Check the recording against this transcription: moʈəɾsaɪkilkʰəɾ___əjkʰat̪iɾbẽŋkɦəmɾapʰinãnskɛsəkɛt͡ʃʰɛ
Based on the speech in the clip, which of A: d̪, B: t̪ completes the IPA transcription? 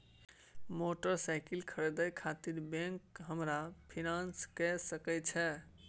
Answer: A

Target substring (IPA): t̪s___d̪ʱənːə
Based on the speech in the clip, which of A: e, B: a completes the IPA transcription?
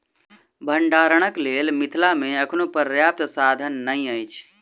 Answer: B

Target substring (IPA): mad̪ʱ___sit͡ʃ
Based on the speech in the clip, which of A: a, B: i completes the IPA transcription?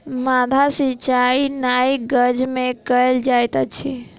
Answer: A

